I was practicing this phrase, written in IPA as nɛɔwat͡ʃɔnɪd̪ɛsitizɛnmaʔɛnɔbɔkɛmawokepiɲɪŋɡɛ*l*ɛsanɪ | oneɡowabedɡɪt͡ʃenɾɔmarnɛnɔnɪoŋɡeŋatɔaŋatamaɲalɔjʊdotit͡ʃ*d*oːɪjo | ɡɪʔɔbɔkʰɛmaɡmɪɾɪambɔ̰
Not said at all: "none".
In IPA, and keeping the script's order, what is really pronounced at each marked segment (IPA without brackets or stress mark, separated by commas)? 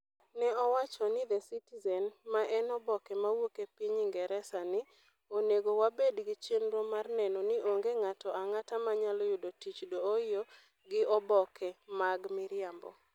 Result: ɾ, d